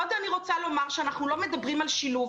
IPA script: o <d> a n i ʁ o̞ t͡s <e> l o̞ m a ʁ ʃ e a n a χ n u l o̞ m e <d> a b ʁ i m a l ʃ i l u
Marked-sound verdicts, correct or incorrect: correct, incorrect: a, correct

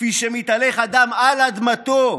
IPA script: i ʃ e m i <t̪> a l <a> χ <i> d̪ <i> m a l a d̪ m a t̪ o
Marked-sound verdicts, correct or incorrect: correct, incorrect: e, incorrect: a, incorrect: a

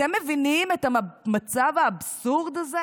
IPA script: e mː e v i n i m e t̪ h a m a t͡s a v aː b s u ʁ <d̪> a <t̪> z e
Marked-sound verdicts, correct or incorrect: correct, incorrect: none

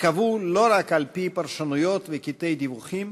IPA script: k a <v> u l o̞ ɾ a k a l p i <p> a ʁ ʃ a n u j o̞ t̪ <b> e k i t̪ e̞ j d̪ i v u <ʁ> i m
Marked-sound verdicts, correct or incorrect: correct, correct, incorrect: v, incorrect: χ

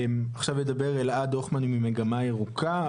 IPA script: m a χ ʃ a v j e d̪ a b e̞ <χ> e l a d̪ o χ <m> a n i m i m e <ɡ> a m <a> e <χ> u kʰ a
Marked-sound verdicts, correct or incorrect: incorrect: ʁ, correct, correct, correct, incorrect: ʁ

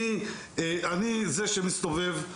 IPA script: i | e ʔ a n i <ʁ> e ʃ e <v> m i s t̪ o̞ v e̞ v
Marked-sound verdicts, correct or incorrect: incorrect: z, incorrect: none

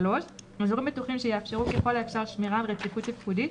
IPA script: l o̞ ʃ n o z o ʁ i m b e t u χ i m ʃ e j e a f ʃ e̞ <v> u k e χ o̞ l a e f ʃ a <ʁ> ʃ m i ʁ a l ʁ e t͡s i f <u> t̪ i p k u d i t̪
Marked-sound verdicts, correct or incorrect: incorrect: ʁ, correct, correct

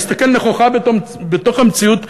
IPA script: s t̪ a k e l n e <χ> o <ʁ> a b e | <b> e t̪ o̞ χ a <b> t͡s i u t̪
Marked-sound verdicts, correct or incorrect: correct, incorrect: χ, correct, incorrect: m

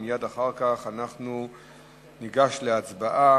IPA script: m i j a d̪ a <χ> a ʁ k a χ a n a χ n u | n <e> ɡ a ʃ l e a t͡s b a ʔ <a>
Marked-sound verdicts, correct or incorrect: correct, incorrect: i, correct

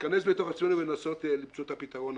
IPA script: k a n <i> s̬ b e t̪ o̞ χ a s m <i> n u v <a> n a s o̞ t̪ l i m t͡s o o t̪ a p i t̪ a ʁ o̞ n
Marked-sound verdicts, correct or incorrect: incorrect: e, incorrect: e, incorrect: e

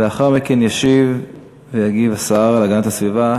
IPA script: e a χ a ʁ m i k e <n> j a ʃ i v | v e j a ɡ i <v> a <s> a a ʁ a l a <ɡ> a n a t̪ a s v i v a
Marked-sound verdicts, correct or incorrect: correct, correct, correct, correct

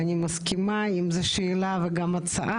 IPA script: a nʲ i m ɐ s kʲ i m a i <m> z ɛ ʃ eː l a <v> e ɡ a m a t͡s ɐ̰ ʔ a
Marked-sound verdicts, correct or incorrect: correct, correct

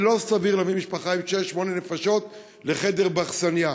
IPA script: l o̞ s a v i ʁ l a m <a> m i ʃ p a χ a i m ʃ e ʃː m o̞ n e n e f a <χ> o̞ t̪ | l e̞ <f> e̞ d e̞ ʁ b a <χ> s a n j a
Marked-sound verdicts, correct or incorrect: incorrect: i, incorrect: ʃ, incorrect: χ, correct

